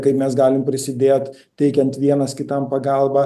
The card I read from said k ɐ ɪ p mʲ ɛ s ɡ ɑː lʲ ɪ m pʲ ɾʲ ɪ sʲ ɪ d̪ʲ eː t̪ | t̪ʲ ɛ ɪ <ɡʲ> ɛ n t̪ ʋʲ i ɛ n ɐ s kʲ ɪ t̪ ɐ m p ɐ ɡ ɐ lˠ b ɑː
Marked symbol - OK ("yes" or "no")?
no